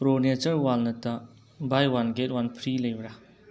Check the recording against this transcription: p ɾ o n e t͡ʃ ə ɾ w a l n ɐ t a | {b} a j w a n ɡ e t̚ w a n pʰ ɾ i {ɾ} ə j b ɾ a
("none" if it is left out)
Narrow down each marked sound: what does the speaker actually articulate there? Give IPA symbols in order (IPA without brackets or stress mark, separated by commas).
b, l